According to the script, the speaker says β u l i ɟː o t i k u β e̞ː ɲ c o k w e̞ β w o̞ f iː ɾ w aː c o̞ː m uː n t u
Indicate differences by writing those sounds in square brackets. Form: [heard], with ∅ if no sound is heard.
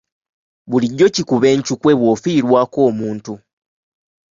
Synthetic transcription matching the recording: β u l i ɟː o [c] i k u β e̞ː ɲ c [u] k w e̞ β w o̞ f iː ɾ w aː [k] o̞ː m uː n t u